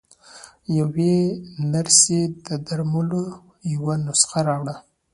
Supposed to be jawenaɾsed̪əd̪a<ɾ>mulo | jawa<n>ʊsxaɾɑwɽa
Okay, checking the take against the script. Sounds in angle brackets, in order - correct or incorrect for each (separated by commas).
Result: correct, correct